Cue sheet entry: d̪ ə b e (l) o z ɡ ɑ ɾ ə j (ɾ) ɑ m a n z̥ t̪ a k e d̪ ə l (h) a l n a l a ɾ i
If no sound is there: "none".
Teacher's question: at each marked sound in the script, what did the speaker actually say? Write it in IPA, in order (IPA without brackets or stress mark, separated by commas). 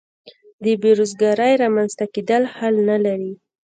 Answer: ɾ, ɾ, h